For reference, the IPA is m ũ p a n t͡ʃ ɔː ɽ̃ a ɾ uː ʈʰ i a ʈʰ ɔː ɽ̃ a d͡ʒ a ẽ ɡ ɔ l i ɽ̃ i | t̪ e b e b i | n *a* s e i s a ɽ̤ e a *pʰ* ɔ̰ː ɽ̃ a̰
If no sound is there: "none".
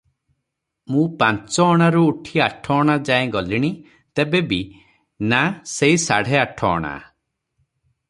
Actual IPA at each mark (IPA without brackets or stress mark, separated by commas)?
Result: a, ʈʰ